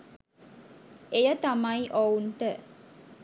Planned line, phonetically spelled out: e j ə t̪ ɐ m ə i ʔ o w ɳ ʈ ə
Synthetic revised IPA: e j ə t̪ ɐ m ɐ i ʔ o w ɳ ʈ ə